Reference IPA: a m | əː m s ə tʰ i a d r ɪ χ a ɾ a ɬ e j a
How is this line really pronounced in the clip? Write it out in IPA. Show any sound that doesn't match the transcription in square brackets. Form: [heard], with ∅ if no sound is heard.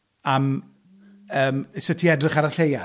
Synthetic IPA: a m | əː m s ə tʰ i [ɛ] d r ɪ χ a ɾ a ɬ e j a